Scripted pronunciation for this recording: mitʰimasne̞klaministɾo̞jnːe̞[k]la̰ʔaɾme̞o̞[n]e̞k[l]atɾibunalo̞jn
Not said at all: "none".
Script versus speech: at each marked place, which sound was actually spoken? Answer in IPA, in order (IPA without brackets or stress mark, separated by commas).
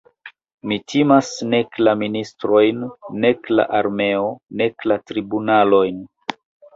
k, n, l